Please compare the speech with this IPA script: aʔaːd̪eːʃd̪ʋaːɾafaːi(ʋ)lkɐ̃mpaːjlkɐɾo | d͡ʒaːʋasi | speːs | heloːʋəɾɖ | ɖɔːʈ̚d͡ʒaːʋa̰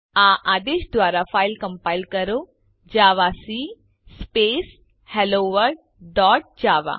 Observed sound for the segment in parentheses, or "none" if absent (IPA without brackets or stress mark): none